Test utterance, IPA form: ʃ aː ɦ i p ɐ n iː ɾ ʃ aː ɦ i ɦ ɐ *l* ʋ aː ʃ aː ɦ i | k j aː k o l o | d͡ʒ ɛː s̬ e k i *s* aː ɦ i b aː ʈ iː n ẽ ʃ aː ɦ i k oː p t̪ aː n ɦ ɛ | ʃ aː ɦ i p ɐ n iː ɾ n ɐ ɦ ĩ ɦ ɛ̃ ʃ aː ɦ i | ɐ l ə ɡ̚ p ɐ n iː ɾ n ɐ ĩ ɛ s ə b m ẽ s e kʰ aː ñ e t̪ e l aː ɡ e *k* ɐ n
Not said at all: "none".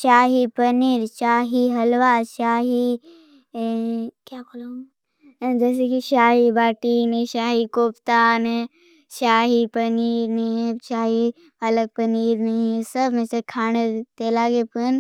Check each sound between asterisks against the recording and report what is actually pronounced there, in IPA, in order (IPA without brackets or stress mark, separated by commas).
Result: l, ʃ, p